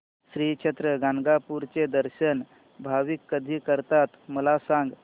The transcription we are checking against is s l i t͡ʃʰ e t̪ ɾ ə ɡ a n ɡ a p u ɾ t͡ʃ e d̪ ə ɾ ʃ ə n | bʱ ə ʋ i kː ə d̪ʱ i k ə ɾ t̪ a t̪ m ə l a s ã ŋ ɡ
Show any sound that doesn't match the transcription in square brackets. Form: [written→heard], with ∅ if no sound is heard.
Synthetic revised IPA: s [l→ɾ] i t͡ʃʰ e t̪ ɾ ə ɡ a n ɡ a p u ɾ t͡ʃ e d̪ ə ɾ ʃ ə n | bʱ [ə→a] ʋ i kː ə d̪ʱ i k ə ɾ t̪ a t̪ m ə l a s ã ŋ ɡ